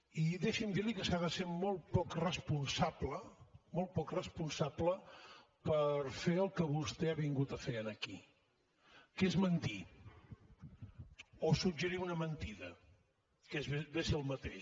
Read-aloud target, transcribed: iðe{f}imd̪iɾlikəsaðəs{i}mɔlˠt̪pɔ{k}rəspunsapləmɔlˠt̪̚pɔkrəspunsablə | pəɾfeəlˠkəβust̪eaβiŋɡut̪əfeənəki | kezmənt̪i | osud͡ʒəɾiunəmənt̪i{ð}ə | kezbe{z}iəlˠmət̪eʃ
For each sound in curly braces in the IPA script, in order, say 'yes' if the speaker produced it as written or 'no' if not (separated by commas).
no, no, yes, yes, no